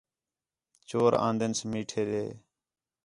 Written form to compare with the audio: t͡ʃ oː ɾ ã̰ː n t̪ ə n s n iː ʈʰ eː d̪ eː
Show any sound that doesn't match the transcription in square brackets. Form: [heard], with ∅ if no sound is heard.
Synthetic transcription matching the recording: t͡ʃ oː ɾ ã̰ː n [d̪] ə n s [m] iː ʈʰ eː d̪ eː